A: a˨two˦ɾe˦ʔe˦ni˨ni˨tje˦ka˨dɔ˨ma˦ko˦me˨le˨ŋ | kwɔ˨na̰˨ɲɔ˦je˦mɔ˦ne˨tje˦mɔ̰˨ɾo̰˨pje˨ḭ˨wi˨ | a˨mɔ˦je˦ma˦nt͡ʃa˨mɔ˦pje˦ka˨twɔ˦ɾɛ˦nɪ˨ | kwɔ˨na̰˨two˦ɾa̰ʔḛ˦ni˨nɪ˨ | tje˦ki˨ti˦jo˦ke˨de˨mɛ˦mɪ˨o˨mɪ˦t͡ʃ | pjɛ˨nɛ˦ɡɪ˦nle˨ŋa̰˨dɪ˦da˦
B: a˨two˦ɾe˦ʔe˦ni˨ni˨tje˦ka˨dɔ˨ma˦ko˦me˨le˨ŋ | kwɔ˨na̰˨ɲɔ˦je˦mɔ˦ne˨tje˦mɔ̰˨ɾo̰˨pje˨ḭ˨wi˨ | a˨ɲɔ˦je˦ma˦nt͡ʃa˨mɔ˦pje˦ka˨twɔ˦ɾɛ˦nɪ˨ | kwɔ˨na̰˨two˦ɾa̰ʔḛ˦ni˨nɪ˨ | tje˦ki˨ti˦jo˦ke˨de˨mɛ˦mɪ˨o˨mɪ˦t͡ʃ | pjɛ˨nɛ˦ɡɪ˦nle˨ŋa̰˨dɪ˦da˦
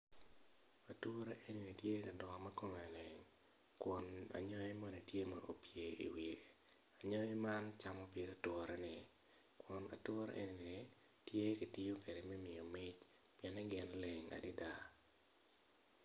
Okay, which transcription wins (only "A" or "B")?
B